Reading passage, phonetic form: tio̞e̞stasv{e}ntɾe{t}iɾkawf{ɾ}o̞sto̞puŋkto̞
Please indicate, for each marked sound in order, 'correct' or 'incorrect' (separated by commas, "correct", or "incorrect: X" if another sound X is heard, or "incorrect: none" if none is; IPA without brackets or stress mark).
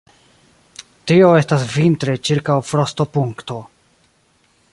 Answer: incorrect: i, incorrect: t͡ʃ, correct